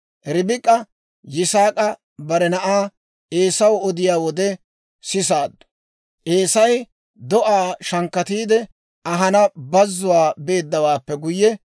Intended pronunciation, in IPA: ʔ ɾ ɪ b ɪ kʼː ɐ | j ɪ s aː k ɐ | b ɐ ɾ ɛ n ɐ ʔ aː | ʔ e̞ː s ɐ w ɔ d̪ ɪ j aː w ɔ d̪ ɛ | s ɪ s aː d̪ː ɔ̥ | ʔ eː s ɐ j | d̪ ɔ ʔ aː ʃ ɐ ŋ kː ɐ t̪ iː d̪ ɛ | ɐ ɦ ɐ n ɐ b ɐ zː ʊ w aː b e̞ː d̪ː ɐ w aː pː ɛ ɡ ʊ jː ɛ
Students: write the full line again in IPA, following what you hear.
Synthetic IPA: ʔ ɾ ɪ b ɪ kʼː ɐ | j ɪ s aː kʼ ɐ | b ɐ ɾ ɛ n ɐ ʔ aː | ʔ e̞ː s ɐ w ɔ d̪ ɪ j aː w ɔ d̪ ɛ | s ɪ s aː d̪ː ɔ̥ | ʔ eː s ɐ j | d̪ ɔ ʔ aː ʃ ɐ ŋ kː ɐ t̪ iː d̪ ɛ | ɐ ɦ ɐ n ɐ b ɐ zː ʊ w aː b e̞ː d̪ː ɐ w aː pː ɛ ɡ ʊ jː ɛ